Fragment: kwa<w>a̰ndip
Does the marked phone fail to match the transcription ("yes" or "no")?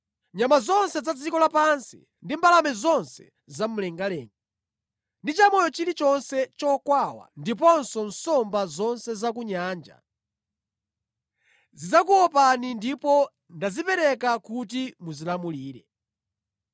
no